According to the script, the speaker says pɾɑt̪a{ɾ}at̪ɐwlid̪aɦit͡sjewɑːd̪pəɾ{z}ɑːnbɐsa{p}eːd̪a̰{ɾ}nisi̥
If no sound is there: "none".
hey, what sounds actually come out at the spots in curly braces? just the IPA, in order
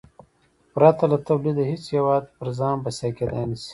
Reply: l, z, k, none

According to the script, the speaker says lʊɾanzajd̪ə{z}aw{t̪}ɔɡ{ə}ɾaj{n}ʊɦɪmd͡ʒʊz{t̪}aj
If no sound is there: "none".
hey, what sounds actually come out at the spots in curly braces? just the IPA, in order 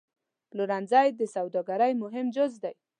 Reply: s, d̪, a, m, d̪

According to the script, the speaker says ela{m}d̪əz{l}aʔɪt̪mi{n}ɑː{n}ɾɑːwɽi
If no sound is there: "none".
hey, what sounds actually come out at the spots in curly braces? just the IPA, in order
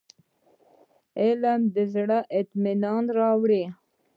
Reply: m, ɽ, n, n

